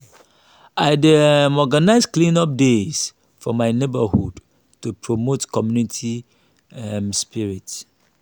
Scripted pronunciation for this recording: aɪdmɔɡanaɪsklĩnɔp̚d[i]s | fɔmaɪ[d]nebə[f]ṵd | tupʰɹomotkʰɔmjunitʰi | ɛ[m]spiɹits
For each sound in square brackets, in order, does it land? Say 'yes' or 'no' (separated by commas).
no, no, no, yes